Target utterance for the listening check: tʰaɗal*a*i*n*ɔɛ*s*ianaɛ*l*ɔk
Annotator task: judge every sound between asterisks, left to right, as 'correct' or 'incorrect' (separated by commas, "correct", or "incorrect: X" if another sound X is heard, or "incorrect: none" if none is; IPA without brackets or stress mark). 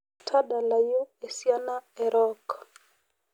correct, incorrect: none, correct, incorrect: ɾ